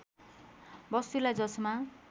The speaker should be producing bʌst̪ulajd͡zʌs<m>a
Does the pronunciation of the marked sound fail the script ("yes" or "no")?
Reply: no